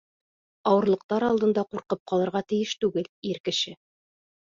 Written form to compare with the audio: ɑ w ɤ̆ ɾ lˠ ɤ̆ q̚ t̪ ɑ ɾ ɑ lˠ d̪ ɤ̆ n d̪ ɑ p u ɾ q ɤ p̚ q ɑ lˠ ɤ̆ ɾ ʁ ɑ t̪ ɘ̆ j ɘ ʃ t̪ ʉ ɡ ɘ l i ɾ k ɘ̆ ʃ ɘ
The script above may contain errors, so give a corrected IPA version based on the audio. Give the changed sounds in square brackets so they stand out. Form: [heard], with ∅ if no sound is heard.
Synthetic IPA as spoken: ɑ w ɤ̆ ɾ lˠ ɤ̆ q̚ t̪ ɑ ɾ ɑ lˠ d̪ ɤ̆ n d̪ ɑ [q] u ɾ q ɤ p̚ q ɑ lˠ ɤ̆ ɾ ʁ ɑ t̪ ɘ̆ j ɘ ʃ t̪ ʉ ɡ ɘ l i ɾ k ɘ̆ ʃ ɘ